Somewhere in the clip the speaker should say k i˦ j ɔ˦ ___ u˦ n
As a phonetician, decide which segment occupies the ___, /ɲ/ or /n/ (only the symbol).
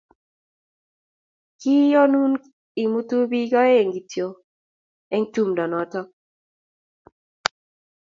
n